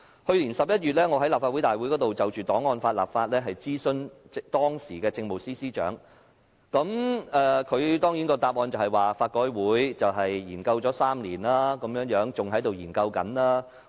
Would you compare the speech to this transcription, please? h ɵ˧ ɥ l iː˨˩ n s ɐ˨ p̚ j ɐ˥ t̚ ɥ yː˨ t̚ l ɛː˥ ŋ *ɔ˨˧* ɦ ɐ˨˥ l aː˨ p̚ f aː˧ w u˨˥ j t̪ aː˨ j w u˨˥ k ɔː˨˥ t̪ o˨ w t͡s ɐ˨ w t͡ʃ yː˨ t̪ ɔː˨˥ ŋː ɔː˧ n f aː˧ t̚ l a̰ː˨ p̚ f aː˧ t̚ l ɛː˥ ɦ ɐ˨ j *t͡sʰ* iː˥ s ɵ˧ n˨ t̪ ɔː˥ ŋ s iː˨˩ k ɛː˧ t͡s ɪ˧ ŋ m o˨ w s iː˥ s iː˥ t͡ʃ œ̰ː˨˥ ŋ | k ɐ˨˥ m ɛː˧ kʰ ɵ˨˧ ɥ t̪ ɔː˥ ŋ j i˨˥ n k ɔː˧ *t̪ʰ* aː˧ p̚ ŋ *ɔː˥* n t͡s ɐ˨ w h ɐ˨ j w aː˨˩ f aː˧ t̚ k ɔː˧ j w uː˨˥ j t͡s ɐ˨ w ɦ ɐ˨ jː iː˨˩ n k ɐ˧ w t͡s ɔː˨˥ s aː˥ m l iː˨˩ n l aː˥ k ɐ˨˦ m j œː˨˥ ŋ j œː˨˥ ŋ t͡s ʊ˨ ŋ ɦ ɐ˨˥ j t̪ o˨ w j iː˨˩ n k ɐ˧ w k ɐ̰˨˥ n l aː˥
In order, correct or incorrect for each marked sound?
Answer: correct, incorrect: t͡s, incorrect: t̪, incorrect: ɔː˧

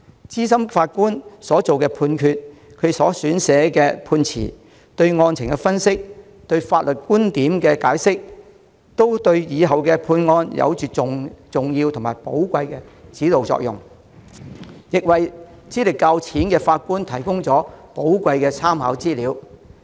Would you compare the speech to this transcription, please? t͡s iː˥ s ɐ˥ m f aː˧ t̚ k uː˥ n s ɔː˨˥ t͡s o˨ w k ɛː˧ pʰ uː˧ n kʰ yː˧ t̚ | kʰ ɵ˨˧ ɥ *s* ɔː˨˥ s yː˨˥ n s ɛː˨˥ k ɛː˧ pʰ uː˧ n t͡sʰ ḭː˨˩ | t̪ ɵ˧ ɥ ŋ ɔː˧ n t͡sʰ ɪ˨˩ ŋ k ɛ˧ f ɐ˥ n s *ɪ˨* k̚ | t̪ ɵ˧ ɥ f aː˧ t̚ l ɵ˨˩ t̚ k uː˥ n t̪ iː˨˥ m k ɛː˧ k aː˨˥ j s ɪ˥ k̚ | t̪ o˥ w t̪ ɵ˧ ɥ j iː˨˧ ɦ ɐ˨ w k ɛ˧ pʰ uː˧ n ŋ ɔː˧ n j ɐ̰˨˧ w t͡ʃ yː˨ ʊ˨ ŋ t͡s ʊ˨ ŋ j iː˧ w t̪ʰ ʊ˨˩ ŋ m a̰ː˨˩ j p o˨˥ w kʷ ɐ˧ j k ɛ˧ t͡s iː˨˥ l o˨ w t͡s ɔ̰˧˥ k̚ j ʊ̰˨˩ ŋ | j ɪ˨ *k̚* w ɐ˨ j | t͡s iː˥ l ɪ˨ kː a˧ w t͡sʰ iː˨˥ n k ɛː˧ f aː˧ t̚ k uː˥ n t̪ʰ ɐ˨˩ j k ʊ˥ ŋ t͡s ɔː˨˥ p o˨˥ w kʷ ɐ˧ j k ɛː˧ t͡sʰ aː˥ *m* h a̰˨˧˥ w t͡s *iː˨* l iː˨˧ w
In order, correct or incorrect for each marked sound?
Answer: correct, incorrect: ɪ˥, correct, correct, incorrect: iː˥

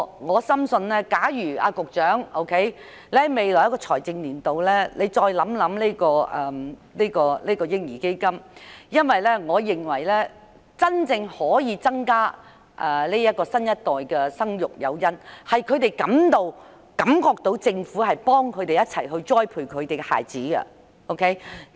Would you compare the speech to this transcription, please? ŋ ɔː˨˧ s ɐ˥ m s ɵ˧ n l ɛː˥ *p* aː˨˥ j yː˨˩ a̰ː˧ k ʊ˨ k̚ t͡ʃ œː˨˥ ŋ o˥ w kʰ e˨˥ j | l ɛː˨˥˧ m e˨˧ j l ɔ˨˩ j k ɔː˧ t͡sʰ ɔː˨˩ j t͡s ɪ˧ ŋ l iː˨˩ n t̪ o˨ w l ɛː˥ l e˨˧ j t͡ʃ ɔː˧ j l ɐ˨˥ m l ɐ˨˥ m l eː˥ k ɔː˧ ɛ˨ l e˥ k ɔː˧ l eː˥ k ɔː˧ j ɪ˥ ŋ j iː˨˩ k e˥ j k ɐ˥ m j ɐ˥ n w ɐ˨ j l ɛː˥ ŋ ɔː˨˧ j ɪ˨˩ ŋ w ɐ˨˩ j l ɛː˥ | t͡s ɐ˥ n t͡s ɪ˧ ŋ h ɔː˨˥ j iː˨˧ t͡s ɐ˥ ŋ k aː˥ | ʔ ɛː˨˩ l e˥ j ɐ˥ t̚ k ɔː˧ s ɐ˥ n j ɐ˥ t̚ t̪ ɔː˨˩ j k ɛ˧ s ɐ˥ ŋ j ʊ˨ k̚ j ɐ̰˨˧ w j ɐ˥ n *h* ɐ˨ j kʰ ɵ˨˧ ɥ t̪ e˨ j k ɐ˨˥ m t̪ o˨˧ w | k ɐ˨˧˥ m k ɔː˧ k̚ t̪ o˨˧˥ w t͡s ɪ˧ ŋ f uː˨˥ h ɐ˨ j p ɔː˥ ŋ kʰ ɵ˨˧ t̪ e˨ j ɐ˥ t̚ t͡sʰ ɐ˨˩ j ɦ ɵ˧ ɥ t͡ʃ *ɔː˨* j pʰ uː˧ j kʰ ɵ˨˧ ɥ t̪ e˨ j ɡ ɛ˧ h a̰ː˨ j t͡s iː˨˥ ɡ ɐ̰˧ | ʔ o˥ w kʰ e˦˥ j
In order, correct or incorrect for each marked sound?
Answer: incorrect: k, correct, incorrect: ɔː˥

